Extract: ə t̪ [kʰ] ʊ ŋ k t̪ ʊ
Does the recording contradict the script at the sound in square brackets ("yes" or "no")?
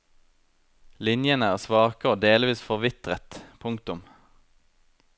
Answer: yes